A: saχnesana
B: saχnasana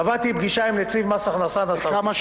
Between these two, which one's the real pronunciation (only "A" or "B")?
B